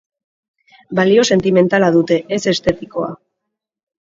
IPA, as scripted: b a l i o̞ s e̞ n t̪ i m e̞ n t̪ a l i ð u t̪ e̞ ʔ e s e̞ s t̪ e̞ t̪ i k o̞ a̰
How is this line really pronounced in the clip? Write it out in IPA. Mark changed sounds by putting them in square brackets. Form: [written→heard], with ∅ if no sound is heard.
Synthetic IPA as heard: b a l i o̞ s e̞ n t̪ i m e̞ n t̪ a l [i→a] ð u t̪ e̞ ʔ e s e̞ s t̪ e̞ t̪ i k o̞ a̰